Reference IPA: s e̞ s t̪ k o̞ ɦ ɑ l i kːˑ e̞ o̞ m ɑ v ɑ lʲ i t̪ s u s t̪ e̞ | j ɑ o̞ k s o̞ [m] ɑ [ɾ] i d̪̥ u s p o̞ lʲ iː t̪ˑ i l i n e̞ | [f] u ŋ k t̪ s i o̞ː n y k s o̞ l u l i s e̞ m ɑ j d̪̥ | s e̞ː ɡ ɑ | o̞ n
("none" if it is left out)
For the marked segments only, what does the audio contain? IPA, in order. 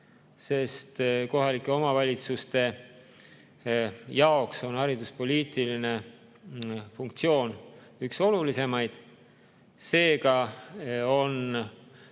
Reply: n, ɾ, f

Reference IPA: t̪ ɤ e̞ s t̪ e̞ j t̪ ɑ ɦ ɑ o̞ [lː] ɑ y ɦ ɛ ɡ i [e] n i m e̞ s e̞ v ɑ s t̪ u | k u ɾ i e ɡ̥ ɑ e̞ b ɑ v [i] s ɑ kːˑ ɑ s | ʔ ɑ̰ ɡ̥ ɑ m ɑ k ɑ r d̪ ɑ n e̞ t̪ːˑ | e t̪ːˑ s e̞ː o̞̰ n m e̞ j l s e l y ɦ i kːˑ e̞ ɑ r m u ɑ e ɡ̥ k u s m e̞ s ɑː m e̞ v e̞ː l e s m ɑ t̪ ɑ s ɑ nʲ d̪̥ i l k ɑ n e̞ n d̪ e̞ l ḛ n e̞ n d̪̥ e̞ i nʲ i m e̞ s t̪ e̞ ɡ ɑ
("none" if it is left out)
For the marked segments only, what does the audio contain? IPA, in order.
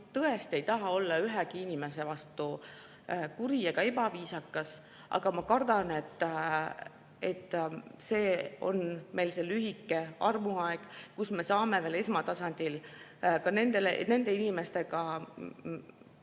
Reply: lː, i, iː

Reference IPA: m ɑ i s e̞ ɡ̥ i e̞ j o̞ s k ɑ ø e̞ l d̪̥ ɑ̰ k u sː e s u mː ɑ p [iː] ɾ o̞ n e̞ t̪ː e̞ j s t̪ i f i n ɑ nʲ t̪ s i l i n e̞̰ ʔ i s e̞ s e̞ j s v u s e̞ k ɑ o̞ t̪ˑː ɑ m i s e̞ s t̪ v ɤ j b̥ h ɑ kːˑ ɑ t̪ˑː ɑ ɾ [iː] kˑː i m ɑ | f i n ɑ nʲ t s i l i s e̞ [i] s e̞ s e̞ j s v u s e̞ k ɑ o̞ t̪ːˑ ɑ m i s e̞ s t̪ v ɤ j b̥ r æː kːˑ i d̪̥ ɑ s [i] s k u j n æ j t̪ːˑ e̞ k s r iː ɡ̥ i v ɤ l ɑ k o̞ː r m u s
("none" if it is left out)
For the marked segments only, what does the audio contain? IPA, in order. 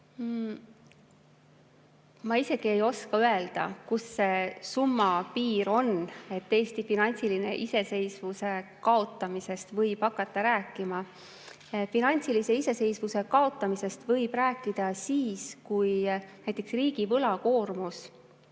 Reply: iː, æː, i, iː

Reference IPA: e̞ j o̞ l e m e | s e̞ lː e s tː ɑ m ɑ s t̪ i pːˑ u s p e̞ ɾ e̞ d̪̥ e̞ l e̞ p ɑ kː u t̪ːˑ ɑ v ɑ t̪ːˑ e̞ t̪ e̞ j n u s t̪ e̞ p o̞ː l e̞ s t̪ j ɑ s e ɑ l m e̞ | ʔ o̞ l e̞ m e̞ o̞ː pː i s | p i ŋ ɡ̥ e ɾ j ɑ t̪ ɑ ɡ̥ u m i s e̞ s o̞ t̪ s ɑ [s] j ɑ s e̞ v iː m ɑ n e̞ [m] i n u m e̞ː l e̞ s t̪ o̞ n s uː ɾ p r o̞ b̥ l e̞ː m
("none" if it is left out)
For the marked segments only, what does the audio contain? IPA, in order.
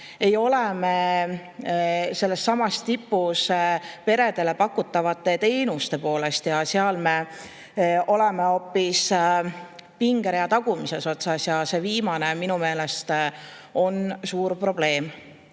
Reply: s, m

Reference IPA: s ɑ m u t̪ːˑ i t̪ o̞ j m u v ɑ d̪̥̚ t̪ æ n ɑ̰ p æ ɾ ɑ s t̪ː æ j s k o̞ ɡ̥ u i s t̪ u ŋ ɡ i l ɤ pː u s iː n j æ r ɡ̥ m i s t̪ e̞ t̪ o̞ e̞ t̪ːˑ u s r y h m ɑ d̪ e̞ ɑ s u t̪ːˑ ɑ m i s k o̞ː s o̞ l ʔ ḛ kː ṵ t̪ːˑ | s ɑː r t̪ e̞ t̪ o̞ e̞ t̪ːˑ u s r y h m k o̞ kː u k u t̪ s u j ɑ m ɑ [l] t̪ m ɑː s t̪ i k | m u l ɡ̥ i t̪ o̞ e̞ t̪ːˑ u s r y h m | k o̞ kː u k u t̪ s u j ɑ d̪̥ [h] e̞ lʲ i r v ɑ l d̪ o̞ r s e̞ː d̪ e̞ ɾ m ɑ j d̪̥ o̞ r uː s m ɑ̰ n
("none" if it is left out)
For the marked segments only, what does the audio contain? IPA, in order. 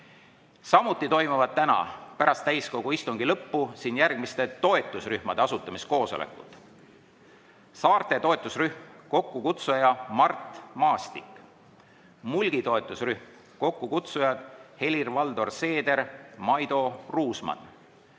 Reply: r, h

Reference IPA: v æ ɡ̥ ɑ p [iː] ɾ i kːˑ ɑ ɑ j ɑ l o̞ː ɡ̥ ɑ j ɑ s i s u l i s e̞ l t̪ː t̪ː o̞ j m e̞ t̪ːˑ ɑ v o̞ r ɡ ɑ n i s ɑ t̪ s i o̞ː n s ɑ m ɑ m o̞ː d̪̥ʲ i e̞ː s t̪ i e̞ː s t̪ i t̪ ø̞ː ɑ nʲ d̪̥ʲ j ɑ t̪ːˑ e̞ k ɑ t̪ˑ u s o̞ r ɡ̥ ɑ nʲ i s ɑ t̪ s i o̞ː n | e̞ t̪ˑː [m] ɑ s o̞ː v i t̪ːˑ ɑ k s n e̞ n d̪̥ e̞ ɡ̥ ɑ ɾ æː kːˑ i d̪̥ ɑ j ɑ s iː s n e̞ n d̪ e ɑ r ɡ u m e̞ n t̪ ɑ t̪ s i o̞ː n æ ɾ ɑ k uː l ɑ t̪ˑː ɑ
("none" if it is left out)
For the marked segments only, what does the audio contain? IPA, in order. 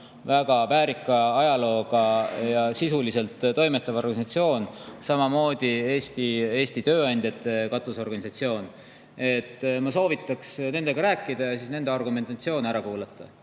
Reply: æː, m

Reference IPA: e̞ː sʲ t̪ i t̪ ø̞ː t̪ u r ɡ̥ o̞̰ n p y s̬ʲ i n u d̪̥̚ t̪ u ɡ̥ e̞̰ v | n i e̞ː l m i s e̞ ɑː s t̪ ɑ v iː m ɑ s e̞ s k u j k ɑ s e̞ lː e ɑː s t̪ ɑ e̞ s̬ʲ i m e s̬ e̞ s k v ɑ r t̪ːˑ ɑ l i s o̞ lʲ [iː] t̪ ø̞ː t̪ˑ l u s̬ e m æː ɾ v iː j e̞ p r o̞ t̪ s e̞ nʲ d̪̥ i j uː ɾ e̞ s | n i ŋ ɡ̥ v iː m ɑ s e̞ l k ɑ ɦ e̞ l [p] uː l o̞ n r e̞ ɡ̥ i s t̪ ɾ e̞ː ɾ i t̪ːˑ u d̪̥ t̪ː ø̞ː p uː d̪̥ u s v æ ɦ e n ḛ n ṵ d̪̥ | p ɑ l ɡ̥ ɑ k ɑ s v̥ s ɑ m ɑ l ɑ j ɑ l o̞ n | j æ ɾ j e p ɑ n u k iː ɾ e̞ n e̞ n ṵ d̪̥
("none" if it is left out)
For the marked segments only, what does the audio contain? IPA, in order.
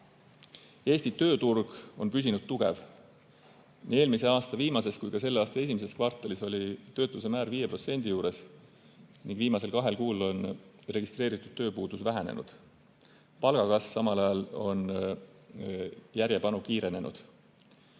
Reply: i, k

